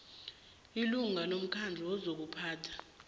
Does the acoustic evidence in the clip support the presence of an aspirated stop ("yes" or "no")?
yes